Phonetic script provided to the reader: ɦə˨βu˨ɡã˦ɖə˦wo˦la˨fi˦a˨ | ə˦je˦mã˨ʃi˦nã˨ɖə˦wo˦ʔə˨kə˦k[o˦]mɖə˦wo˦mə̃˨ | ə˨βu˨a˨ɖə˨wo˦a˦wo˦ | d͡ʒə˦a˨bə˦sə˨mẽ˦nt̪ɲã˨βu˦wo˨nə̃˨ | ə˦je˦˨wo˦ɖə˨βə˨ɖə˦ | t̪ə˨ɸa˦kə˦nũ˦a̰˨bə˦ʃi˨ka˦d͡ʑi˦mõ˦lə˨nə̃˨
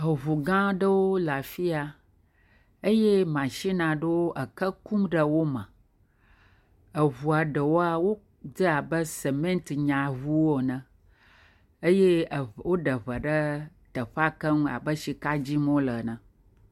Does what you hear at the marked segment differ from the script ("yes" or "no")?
yes